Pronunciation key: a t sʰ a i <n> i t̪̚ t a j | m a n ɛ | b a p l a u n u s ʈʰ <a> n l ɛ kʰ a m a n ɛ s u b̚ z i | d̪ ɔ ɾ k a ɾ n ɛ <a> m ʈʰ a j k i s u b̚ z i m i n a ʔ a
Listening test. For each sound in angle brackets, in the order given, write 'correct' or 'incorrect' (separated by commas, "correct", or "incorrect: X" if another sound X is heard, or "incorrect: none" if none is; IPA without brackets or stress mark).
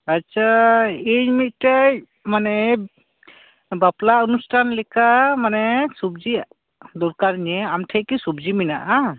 incorrect: m, correct, correct